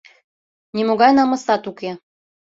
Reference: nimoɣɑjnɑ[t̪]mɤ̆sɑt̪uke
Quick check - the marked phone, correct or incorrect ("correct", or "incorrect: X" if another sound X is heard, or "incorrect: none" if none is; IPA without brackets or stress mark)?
incorrect: none